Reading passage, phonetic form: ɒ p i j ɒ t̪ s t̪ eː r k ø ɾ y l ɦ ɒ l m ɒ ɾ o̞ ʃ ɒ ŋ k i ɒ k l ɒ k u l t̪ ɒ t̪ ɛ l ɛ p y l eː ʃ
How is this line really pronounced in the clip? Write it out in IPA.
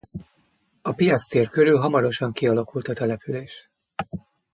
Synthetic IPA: ɒ p i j ɒ t̪ s t̪ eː r k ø ɾ y l ɦ ɒ m ɒ ɾ o̞ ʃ ɒ ŋ k i ɒ l ɒ k u l t̪ ɒ t̪ ɛ l ɛ p y l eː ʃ